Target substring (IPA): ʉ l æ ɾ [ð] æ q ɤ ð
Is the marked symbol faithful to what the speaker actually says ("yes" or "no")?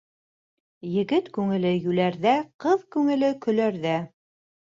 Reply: yes